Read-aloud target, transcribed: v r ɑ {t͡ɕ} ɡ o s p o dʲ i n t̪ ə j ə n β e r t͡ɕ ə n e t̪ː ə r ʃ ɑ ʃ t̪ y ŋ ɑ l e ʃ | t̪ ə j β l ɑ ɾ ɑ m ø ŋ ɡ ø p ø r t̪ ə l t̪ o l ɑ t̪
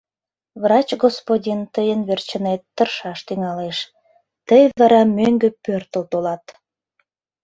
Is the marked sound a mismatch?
no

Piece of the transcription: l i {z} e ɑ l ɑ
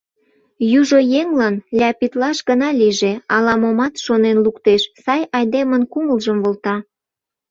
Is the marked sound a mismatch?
yes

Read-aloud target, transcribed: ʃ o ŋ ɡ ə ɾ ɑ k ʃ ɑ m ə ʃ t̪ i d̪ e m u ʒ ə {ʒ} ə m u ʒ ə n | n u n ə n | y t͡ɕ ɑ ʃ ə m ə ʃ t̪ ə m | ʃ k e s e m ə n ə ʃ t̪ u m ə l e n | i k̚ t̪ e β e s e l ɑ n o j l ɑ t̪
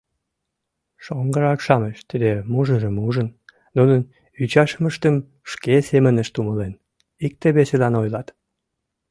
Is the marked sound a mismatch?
no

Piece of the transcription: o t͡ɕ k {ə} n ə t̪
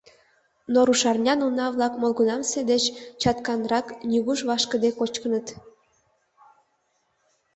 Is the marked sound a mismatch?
no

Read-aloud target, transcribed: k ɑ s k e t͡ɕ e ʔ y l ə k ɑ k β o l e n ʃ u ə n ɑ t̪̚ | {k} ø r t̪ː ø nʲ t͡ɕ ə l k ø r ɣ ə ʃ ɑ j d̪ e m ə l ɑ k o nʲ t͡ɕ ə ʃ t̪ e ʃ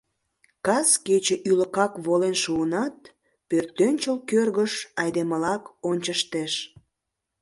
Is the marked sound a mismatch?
yes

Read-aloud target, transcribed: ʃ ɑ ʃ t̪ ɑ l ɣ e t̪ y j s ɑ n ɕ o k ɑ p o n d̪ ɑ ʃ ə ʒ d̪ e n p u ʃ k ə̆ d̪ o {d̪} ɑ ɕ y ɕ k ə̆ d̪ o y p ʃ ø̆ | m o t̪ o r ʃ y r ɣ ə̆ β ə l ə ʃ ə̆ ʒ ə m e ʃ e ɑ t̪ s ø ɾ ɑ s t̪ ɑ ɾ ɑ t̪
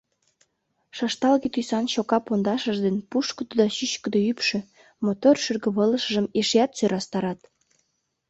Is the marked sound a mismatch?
no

